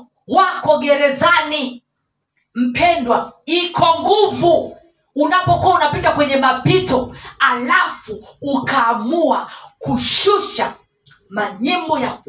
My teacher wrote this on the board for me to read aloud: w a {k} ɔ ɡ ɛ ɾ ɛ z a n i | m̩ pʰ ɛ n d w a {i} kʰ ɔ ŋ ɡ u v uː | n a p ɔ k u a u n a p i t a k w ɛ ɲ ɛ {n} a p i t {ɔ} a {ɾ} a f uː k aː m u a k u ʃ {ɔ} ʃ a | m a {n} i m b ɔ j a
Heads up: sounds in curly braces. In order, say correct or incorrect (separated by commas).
correct, correct, incorrect, correct, incorrect, incorrect, incorrect